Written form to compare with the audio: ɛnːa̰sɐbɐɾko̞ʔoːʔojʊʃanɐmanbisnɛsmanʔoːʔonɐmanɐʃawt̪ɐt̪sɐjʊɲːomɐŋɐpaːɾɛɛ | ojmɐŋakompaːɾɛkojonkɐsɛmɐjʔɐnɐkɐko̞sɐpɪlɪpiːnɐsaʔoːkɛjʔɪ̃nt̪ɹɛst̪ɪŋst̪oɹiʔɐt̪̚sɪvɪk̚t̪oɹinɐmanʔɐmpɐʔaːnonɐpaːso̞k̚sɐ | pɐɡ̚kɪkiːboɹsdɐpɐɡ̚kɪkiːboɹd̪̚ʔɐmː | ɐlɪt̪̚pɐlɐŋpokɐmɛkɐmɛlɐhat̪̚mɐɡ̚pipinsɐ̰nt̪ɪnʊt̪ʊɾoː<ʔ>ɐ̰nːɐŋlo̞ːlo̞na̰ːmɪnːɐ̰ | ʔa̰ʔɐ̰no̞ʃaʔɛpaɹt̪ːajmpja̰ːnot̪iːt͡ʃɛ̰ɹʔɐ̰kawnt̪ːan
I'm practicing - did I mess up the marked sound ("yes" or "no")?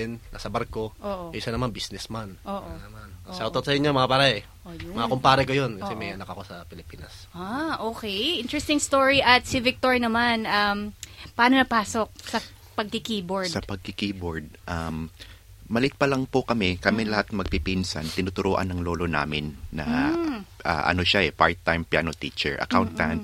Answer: no